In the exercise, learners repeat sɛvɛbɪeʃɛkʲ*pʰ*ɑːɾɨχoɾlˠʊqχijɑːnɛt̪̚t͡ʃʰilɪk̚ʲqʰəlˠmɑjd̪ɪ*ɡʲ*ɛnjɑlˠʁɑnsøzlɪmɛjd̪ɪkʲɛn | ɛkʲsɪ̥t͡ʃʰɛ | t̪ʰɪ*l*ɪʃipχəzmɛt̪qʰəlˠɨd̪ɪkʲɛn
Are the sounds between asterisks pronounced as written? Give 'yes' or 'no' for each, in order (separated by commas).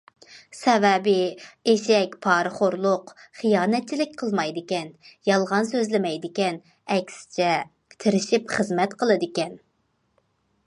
yes, no, no